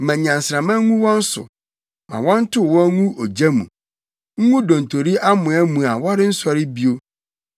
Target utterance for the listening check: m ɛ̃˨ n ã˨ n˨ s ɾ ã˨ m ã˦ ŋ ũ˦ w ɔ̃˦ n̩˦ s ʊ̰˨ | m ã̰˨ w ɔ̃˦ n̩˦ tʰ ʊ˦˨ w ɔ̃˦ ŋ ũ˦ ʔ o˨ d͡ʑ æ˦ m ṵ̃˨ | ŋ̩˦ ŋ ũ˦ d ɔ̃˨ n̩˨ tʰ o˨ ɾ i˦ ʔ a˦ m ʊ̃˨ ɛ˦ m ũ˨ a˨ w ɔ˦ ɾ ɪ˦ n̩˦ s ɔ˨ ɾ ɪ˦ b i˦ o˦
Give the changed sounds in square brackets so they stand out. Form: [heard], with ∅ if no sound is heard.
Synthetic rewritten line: m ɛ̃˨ [ɲ] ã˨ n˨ s ɾ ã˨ m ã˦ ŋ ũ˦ w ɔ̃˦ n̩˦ s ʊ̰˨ | m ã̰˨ w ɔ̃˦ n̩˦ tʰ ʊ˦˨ w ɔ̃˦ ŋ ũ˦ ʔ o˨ d͡ʑ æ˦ m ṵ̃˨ | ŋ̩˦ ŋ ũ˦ d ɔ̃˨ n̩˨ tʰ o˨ ɾ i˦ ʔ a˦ m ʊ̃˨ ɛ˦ m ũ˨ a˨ w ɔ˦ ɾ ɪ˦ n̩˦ s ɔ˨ ɾ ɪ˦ b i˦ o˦